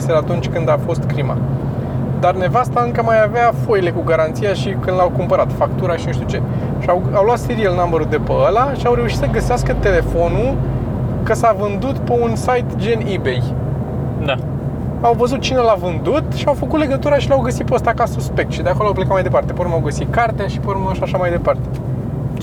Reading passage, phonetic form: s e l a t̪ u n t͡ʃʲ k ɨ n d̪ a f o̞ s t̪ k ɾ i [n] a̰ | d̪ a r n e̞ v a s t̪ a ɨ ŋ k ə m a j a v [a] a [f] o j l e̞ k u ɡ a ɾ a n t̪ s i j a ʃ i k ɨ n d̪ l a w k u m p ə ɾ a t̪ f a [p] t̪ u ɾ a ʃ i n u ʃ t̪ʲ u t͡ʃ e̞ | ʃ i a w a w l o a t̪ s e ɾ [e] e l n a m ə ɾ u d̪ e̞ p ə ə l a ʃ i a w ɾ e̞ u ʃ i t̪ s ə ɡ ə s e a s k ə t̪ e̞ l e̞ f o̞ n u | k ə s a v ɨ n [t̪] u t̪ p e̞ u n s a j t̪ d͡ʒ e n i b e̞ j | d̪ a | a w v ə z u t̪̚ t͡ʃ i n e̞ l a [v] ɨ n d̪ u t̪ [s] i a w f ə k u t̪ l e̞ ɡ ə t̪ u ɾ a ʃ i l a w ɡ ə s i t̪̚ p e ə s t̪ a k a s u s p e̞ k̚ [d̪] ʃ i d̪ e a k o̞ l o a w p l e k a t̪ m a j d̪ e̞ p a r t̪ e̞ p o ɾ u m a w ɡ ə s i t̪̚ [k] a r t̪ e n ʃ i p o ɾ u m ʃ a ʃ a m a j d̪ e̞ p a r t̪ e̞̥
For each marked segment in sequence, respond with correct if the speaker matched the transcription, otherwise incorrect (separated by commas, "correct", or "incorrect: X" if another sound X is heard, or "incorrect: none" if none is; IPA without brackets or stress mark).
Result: incorrect: m, incorrect: e, correct, incorrect: k, incorrect: i, incorrect: d̪, correct, incorrect: ʃ, incorrect: t̪, correct